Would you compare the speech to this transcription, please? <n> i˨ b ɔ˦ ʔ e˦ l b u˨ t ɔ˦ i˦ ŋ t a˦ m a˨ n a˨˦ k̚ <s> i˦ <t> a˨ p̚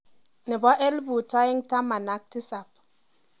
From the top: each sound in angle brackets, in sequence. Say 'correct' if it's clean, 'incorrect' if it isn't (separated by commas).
correct, incorrect, incorrect